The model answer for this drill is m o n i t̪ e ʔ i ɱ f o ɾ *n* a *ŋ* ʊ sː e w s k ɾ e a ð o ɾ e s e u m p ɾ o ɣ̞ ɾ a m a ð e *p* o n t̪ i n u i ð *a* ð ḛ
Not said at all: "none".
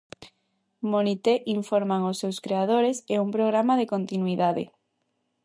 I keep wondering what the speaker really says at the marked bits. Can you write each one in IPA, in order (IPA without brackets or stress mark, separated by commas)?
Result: m, ŋ, k, a